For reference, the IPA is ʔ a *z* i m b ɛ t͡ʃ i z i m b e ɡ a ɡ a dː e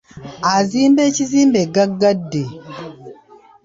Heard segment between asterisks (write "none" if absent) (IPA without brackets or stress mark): z